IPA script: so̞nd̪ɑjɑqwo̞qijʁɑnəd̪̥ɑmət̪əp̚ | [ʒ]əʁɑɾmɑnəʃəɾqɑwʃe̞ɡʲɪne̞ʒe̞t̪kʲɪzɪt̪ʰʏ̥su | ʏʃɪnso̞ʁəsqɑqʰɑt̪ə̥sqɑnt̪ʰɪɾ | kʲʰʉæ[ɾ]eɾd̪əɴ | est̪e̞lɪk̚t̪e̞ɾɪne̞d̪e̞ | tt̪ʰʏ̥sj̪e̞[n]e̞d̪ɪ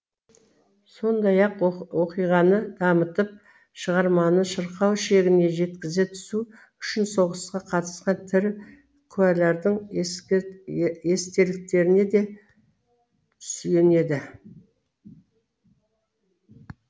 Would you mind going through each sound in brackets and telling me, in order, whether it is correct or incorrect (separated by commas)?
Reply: incorrect, incorrect, correct